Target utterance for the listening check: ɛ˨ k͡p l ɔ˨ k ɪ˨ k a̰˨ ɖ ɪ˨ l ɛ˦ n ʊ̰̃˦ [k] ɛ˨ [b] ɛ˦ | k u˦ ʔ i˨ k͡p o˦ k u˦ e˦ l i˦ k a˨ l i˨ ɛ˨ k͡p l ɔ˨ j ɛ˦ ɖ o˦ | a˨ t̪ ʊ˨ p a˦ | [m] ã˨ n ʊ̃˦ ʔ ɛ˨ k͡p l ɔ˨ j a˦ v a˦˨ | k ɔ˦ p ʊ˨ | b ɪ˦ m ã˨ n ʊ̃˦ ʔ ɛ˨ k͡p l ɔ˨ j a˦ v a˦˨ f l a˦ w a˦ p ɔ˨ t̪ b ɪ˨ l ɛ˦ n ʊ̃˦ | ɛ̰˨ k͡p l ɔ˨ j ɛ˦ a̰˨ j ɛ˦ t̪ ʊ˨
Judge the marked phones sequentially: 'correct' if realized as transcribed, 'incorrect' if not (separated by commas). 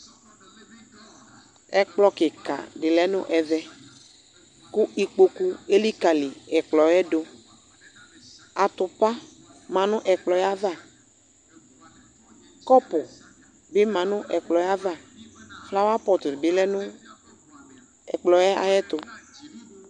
incorrect, incorrect, correct